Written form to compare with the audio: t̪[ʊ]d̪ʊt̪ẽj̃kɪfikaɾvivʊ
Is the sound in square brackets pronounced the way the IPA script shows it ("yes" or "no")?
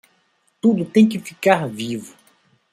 no